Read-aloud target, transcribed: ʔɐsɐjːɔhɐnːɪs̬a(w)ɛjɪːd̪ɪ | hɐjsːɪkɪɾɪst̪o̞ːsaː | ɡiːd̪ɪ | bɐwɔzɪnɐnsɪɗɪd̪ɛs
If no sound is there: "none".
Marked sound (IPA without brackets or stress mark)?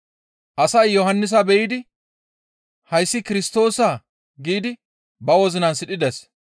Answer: b